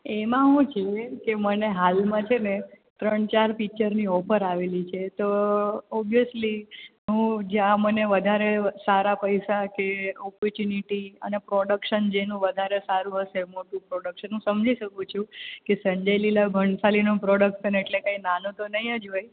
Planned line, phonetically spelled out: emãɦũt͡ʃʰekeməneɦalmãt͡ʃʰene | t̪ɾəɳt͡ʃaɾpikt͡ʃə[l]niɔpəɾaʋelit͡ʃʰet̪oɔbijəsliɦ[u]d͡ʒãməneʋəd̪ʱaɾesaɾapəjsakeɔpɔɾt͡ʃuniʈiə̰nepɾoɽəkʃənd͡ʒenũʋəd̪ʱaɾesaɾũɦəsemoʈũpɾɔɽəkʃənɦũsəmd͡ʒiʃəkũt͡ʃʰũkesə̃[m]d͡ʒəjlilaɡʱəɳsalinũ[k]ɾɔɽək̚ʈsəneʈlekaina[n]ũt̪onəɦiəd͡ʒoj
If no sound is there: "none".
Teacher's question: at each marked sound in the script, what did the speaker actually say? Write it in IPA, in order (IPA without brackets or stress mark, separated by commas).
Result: ɾ, ũ, ɲ, p, n